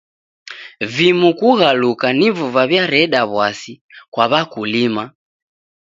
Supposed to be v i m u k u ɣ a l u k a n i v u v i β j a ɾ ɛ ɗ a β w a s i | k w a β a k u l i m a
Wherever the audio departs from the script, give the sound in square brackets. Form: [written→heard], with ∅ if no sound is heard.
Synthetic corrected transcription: v i m u k u ɣ a l u k a n i v u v [i→a] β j a ɾ ɛ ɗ a β w a s i | k w a β a k u l i m a